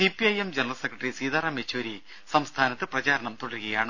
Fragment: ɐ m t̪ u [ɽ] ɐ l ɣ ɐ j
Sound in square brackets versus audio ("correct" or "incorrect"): correct